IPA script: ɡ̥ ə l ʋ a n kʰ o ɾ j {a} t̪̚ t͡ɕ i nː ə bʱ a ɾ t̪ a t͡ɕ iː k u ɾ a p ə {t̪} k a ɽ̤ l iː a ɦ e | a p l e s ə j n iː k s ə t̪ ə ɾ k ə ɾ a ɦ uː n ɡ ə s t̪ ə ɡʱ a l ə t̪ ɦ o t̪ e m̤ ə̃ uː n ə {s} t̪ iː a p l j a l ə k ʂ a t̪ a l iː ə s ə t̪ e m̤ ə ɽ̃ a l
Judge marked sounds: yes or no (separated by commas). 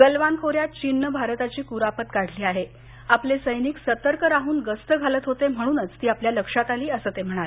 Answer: yes, yes, no